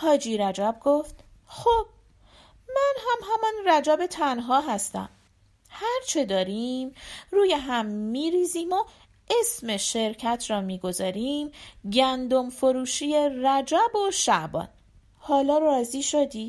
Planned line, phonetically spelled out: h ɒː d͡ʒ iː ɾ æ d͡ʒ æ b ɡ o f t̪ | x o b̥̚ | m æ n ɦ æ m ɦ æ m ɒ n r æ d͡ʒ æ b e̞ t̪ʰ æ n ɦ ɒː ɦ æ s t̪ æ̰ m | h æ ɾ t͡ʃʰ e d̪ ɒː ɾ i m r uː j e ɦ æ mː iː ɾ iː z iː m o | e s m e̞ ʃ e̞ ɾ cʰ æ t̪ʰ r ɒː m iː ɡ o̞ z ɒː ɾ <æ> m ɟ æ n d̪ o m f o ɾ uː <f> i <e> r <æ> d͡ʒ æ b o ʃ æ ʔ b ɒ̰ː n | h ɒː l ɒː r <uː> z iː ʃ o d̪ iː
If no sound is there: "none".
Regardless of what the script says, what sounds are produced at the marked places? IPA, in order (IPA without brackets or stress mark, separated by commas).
i, ʃ, e, æ, ɒː